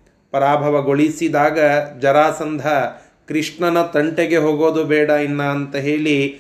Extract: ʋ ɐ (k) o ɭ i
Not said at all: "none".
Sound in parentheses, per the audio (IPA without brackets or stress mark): ɡ